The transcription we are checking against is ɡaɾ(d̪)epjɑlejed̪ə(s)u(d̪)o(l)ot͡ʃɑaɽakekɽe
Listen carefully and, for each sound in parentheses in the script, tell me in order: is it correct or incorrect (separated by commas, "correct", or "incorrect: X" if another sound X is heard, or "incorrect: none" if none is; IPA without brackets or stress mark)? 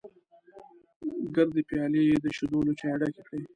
correct, incorrect: ʃ, correct, correct